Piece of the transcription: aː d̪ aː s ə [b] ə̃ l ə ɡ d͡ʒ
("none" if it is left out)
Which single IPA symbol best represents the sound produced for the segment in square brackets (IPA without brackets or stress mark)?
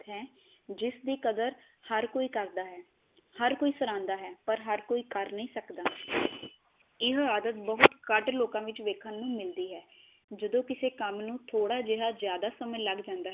m